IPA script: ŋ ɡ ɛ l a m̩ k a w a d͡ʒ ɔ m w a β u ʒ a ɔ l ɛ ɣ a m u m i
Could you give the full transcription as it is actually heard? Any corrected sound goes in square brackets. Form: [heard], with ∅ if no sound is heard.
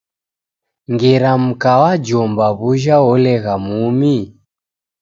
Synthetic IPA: ŋ ɡ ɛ [ɾ] a m̩ k a w a d͡ʒ ɔ m [b] a β u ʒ a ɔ l ɛ ɣ a m u m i